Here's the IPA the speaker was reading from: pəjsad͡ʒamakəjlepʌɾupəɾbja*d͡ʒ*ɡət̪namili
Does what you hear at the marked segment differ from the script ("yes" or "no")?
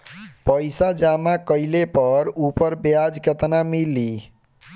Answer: no